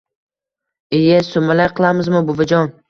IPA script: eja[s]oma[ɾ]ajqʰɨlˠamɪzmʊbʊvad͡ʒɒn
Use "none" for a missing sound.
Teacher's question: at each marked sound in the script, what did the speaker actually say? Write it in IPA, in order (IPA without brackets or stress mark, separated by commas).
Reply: s, l